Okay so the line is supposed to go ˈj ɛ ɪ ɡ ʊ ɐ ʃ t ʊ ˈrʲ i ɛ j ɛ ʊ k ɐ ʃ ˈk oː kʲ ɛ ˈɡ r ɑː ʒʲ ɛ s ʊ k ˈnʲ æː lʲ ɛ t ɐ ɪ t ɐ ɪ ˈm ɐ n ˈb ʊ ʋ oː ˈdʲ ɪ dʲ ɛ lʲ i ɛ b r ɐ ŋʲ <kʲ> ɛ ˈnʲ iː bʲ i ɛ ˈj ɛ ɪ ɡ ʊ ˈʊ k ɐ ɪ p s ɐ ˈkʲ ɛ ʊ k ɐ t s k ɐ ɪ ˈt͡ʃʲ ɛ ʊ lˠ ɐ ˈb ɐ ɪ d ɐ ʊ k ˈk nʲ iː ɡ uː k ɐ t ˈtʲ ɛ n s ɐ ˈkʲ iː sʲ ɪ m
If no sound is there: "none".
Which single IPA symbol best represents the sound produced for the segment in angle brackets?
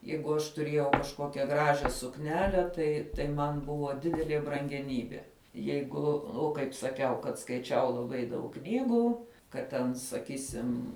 ɡʲ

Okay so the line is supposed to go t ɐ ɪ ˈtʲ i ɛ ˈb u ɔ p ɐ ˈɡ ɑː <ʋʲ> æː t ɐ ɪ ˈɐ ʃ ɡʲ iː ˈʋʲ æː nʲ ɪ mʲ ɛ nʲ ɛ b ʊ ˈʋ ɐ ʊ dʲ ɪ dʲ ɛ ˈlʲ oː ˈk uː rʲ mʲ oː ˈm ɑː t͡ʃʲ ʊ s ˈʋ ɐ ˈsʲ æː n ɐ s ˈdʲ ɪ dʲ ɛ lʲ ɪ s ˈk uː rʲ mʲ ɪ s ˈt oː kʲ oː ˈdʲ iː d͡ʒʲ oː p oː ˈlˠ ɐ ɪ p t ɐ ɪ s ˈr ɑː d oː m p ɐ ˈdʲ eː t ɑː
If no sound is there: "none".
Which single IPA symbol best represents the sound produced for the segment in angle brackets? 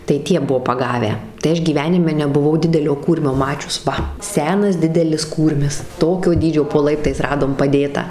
ʋʲ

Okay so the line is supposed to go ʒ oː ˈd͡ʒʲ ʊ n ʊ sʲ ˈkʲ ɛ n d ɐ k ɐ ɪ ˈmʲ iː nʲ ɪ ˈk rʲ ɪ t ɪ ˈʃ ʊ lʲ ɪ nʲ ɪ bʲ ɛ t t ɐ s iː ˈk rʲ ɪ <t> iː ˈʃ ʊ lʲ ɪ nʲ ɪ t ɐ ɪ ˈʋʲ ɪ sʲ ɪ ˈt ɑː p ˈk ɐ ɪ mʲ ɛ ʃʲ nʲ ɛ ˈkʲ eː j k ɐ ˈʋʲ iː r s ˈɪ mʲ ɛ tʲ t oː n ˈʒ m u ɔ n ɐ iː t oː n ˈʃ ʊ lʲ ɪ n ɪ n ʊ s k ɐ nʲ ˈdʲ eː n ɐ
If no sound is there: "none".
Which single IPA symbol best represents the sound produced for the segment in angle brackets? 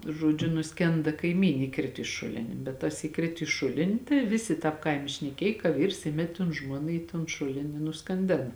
t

